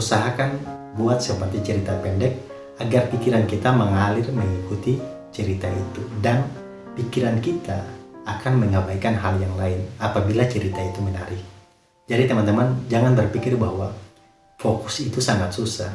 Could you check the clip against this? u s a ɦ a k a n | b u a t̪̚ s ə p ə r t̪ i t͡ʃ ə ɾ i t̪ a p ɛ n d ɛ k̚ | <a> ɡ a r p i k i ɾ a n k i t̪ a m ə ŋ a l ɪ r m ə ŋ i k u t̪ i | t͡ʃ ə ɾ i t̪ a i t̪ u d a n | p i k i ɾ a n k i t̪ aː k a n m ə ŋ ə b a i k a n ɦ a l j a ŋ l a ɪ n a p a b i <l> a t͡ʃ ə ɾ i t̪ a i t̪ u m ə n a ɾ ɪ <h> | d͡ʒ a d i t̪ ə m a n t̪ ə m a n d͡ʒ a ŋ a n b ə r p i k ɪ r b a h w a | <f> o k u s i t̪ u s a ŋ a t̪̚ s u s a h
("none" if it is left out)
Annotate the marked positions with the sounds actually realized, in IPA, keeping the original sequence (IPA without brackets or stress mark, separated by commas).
a, l, h, f